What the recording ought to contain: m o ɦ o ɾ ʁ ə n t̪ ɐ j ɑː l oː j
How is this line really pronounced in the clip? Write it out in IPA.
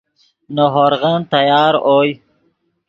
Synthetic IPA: n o ɦ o ɾ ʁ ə n t̪ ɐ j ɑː ɾ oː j